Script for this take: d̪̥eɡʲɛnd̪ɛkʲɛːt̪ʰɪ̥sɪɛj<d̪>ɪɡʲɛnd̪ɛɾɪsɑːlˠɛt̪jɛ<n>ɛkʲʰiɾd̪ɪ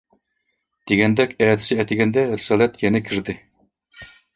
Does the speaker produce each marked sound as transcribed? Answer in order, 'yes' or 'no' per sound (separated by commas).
no, yes